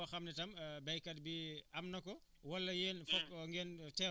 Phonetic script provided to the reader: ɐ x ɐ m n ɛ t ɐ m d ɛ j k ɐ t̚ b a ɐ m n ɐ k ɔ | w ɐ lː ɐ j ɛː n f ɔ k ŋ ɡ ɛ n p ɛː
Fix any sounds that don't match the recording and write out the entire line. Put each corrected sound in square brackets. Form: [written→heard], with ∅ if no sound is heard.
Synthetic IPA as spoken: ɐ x ɐ m n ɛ t ɐ m [d→b] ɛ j k ɐ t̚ b [a→i] ɐ m n ɐ k ɔ | w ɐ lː ɐ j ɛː n f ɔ k ŋ ɡ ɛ n [p→t] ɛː